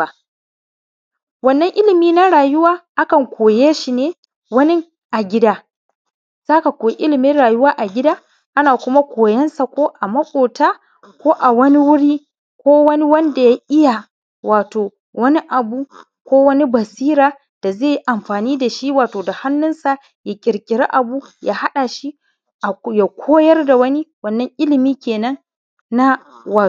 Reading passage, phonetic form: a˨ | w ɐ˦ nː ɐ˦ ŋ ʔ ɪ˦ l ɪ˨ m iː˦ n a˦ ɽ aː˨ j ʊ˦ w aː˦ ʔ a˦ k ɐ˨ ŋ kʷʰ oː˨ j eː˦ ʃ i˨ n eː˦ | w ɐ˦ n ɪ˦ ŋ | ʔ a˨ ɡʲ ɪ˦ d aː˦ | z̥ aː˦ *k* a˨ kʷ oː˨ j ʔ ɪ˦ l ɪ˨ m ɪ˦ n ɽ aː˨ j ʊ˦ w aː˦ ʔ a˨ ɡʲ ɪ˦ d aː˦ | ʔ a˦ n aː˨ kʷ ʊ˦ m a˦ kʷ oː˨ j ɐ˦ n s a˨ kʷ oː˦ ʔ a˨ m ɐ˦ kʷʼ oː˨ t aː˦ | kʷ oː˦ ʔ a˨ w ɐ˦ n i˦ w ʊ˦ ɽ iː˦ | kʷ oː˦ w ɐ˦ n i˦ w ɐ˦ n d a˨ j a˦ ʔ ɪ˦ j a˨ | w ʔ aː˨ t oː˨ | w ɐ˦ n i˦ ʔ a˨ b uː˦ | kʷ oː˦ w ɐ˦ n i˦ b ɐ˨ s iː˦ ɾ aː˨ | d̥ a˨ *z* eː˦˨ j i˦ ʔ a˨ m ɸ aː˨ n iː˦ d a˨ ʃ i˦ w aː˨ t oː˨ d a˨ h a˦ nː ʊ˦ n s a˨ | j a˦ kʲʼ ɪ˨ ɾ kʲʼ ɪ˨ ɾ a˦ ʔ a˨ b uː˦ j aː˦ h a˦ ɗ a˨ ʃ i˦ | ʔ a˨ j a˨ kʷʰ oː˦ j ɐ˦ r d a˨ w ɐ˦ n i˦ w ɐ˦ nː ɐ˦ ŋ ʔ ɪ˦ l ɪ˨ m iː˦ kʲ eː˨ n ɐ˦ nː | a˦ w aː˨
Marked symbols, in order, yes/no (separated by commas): yes, yes